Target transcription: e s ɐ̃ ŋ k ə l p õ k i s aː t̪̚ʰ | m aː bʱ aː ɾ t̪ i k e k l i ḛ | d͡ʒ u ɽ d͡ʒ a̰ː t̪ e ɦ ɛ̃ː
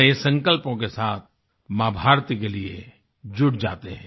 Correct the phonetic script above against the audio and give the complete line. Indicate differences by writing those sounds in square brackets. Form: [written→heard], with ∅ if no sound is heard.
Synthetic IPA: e s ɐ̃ ŋ k ə l p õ k [i→e] s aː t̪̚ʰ | m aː bʱ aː ɾ t̪ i k e [k→∅] l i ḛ | d͡ʒ [u→ʊ] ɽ d͡ʒ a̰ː t̪ e ɦ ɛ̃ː